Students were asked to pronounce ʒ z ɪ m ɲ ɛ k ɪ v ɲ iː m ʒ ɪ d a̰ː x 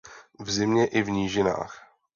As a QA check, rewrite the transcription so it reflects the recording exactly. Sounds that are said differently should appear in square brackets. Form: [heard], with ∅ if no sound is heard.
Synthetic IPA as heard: [v] z ɪ m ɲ ɛ [ʔ] ɪ v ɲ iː [∅] ʒ ɪ [n] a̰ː x